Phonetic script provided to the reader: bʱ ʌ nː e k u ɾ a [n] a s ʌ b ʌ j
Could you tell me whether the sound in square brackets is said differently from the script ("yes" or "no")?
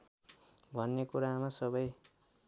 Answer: yes